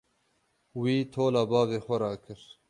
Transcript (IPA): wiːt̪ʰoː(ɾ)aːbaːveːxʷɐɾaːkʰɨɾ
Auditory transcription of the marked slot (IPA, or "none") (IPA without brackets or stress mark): l